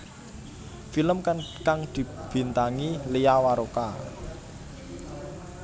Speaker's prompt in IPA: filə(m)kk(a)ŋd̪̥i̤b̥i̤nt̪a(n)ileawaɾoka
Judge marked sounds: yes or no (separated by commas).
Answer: yes, yes, no